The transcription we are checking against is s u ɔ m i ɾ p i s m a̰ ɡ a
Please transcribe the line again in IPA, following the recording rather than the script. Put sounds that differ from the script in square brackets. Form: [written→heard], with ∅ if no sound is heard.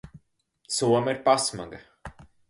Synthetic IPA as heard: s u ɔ m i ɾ p [i→a] s m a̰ ɡ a